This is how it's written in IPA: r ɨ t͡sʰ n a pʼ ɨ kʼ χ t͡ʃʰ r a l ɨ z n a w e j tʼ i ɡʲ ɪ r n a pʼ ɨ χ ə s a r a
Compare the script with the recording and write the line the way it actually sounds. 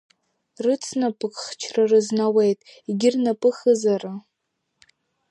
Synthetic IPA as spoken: r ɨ t͡sʰ n a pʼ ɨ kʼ χ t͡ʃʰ r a r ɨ z n a w e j tʼ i ɡʲ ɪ r n a pʼ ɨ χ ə z a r a